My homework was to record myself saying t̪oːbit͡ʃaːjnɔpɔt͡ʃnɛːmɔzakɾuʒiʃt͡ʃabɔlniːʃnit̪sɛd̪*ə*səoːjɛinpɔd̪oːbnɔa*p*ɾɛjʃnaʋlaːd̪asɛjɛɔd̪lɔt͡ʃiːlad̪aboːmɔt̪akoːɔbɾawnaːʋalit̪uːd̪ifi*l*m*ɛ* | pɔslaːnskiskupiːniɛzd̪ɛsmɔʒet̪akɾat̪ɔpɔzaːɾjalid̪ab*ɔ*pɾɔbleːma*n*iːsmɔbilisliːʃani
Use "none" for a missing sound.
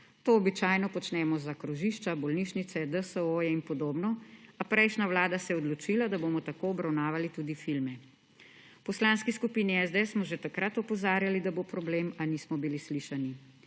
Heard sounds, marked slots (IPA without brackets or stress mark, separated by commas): ə, p, l, ɛ, o, n